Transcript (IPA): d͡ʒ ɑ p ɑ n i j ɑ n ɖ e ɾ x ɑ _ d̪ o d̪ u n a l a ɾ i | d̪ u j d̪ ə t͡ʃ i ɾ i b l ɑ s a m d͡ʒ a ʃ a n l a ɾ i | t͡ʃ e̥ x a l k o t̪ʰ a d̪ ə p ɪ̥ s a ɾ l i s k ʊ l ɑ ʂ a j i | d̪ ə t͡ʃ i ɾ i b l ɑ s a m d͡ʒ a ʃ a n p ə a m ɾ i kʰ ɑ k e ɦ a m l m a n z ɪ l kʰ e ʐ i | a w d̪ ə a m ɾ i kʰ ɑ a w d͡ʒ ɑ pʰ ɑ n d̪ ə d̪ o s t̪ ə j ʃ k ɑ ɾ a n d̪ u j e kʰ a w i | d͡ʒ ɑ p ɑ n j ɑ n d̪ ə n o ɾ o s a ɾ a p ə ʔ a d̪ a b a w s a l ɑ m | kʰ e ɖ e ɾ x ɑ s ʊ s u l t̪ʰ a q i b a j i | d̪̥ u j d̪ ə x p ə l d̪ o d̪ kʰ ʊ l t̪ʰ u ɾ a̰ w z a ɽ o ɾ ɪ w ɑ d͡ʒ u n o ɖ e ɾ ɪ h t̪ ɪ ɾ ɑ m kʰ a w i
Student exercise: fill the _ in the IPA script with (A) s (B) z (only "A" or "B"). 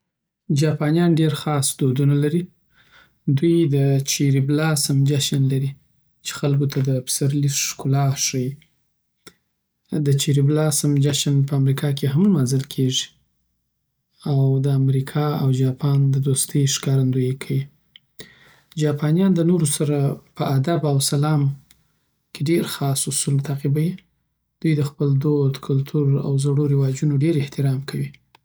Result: A